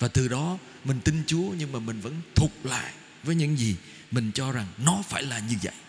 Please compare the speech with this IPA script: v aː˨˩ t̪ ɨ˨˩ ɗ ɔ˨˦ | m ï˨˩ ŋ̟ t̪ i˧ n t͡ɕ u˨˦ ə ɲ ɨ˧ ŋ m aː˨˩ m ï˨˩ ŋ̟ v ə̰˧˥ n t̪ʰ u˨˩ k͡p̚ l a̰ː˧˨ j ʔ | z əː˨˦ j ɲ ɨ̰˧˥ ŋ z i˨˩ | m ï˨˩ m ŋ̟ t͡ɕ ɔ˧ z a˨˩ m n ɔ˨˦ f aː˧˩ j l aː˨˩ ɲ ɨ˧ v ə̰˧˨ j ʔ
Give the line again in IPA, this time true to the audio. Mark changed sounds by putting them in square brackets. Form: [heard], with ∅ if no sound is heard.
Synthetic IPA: v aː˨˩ t̪ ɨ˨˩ ɗ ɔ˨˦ | m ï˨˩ ŋ̟ t̪ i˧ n t͡ɕ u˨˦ ə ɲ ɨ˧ ŋ m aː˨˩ m ï˨˩ ŋ̟ v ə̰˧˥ n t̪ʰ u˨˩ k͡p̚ l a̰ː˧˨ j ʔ | [v] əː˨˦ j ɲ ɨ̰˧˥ ŋ z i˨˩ | m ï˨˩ [∅] ŋ̟ t͡ɕ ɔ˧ z a˨˩ [ŋ] n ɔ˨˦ f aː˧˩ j l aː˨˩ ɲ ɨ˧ v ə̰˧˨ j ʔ